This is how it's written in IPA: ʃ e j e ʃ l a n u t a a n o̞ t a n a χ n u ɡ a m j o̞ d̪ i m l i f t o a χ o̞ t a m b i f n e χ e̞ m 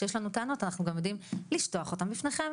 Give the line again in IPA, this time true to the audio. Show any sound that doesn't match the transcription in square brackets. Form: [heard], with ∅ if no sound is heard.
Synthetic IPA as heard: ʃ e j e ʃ l a n u t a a n o̞ t a n a χ n u ɡ a m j o̞ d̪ i m l i [ʃ] t o a χ o̞ t a m b i f n e χ e̞ m